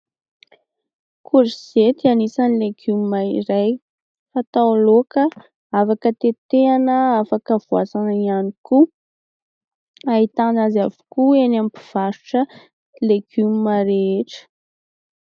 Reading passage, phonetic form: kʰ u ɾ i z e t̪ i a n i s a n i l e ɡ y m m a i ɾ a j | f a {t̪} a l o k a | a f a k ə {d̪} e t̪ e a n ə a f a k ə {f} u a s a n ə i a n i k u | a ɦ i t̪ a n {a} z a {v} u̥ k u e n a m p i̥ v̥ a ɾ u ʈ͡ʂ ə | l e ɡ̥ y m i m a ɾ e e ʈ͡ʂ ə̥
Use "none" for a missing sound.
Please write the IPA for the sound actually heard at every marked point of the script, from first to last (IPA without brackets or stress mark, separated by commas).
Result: t̪, t̪, v, a, v